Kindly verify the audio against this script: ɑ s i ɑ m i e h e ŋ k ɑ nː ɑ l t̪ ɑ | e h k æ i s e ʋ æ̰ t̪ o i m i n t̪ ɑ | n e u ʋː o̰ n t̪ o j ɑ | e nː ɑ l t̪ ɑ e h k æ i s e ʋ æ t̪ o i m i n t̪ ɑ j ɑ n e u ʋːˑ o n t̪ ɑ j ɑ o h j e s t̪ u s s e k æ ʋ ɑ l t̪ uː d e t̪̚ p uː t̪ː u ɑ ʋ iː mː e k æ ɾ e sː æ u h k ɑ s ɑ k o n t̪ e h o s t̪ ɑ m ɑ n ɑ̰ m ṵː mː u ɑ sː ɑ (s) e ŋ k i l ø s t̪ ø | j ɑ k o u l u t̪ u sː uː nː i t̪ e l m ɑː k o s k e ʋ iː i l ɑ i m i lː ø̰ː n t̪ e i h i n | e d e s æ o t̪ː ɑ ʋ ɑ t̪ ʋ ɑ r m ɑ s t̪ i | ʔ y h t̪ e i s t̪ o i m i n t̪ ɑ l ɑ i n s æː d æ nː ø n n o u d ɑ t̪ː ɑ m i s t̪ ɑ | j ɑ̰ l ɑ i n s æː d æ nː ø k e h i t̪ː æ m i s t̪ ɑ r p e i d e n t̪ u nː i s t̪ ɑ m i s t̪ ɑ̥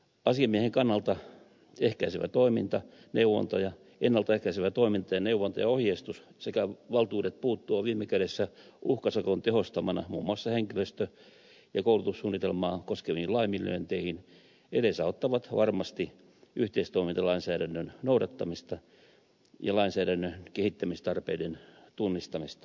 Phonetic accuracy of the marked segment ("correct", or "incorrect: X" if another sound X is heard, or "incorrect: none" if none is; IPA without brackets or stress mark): incorrect: h